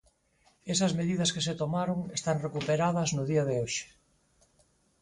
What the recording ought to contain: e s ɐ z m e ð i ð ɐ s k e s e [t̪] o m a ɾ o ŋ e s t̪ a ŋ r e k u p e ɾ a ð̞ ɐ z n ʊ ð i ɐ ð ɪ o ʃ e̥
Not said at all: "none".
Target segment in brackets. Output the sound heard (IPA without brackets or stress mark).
t̪